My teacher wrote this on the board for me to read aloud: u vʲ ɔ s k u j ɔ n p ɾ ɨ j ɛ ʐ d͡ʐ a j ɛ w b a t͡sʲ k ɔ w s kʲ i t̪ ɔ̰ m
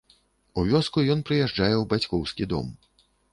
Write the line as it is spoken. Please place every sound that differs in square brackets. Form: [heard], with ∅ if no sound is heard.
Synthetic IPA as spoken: u vʲ ɔ s k u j ɔ n p ɾ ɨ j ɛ ʐ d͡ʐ a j ɛ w b a t͡sʲ k ɔ w s kʲ i [d̪] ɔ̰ m